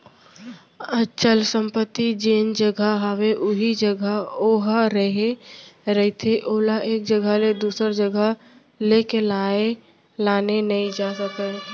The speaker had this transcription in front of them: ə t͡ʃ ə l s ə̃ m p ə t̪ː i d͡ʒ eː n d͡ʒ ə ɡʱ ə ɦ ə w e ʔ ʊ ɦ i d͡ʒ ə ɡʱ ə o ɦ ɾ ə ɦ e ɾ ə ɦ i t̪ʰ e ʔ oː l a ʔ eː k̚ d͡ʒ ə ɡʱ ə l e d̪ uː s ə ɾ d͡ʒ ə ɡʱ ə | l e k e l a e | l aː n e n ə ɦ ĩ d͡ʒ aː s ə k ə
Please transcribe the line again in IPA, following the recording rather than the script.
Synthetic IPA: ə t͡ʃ ə l s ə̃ m p ə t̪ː i d͡ʒ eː n d͡ʒ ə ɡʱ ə ɦ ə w e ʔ ʊ ɦ i d͡ʒ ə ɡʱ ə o ɦ ɾ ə ɦ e ɾ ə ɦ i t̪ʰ e ʔ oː l a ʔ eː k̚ d͡ʒ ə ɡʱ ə l e d̪ uː s ə ɾ d͡ʒ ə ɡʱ ə | l e k e l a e | l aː n e n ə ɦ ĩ d͡ʒ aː s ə k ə